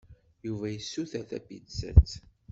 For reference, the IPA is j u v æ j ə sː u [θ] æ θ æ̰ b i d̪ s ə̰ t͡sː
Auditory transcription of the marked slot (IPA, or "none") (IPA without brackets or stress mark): θ